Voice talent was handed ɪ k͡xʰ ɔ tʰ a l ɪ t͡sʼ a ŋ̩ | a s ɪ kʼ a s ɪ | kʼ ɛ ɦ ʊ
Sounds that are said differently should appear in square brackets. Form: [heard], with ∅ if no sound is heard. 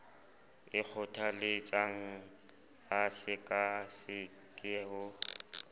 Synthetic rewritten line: ɪ k͡xʰ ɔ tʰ a l ɪ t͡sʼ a ŋ̩ | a s ɪ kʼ a s ɪ | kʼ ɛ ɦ ʊ